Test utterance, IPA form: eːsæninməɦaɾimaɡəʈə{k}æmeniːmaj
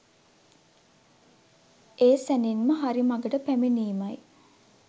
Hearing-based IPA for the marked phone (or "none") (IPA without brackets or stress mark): p